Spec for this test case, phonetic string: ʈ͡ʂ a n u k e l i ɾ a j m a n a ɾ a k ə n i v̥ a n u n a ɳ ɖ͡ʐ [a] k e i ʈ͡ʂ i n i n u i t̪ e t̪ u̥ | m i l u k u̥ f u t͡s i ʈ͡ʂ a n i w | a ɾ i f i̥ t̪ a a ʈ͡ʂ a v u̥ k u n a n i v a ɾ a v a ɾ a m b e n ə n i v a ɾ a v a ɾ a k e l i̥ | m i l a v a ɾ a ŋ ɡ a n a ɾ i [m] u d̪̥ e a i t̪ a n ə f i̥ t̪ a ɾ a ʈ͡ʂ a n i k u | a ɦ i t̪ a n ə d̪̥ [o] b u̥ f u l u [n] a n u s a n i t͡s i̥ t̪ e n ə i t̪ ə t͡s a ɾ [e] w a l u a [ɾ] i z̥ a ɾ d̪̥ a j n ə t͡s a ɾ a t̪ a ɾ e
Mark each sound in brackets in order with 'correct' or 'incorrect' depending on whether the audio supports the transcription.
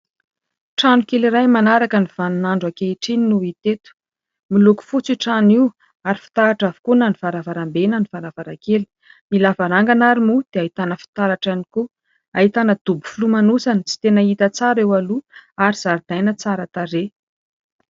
correct, correct, incorrect: u, incorrect: m, correct, correct

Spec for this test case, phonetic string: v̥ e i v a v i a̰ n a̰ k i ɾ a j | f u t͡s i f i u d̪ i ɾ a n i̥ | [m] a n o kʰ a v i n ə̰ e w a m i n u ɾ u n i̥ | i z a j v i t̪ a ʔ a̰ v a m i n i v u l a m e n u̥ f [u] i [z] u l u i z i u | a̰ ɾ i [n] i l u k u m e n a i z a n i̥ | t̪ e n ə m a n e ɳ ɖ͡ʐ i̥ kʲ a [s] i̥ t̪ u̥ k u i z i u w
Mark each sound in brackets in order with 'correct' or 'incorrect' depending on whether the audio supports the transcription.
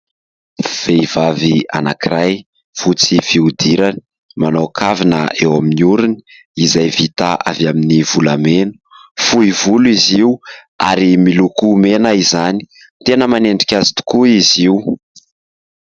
correct, correct, incorrect: v, incorrect: m, incorrect: z

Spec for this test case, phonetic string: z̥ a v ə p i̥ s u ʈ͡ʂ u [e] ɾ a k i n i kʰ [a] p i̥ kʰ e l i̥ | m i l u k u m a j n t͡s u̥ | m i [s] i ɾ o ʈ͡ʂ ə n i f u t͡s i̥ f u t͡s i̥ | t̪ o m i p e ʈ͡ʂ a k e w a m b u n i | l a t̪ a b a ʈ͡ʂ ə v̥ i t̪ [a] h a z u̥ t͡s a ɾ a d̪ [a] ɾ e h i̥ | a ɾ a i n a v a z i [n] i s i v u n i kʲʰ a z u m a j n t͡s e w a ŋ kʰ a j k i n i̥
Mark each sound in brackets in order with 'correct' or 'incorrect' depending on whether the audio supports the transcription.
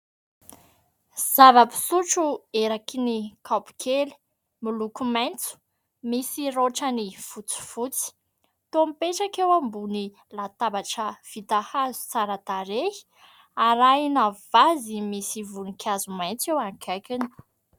correct, correct, correct, correct, correct, incorrect: m

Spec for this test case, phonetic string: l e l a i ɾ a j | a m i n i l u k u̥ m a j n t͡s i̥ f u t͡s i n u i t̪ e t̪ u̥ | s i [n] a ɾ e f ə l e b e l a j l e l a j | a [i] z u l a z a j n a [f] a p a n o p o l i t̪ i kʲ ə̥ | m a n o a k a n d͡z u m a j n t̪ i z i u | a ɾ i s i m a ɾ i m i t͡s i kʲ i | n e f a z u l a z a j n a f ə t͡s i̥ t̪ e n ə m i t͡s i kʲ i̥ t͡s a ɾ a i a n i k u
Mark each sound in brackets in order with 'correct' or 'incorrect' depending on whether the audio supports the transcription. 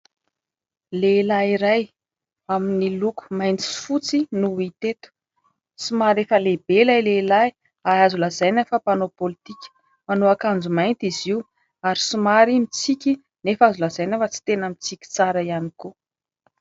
incorrect: m, incorrect: a, correct

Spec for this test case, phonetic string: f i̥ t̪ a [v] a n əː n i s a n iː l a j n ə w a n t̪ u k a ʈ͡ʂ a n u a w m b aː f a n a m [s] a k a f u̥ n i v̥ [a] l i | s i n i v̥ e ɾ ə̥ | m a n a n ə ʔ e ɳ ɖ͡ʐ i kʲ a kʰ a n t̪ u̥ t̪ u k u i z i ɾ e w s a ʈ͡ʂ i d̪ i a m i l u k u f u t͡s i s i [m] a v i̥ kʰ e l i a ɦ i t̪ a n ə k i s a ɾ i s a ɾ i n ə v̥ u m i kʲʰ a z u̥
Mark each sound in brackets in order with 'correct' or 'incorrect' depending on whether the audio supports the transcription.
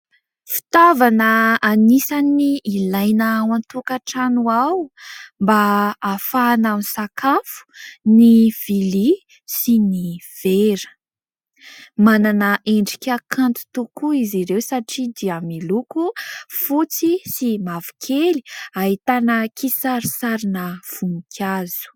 correct, correct, incorrect: i, correct

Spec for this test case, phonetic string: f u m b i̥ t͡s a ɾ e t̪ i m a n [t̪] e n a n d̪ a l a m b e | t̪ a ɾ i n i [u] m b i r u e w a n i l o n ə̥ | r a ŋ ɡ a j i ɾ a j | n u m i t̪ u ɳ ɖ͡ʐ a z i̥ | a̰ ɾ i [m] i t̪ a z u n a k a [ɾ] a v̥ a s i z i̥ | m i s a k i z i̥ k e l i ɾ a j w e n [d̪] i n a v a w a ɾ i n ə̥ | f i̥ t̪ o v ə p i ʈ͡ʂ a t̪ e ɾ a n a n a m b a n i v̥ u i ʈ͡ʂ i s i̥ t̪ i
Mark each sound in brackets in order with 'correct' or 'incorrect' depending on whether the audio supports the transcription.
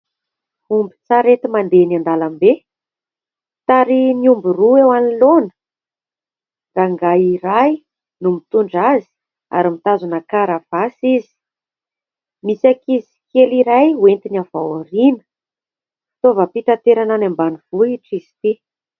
incorrect: d̪, correct, correct, correct, incorrect: t̪

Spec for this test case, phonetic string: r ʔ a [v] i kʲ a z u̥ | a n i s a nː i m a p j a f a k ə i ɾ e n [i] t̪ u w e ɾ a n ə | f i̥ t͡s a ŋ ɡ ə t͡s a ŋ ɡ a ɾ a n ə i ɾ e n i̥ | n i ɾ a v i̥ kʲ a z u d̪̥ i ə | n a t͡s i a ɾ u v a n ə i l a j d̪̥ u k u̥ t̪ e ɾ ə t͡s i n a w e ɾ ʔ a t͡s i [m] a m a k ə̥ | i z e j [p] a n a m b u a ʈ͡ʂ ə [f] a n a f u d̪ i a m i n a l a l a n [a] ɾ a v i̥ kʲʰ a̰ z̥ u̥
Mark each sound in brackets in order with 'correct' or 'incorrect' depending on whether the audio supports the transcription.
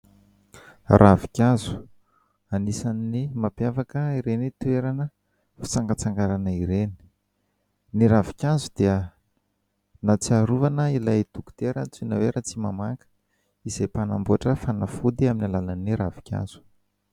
correct, correct, correct, correct, correct, incorrect: i

